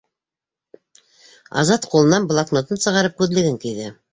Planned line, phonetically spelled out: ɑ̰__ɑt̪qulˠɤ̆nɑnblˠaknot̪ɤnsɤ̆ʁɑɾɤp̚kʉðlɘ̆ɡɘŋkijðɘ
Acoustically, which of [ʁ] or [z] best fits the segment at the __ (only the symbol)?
z